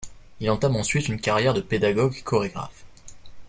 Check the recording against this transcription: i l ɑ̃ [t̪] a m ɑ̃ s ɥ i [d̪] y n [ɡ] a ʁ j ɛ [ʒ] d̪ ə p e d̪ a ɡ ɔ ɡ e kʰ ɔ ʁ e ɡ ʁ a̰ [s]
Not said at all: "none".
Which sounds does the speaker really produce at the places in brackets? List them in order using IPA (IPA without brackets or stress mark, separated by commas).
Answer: t̪, t̪, k, ʁ, f